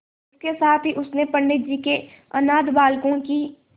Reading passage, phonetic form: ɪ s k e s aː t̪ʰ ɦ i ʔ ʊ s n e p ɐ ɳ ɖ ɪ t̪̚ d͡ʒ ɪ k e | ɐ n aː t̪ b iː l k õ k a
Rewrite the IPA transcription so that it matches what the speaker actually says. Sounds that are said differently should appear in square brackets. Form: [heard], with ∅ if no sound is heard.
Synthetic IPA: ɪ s k e s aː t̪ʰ ɦ i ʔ ʊ s n e p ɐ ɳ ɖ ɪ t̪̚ d͡ʒ [i] k e | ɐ n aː [d̪] b [aː] l k õ k [i]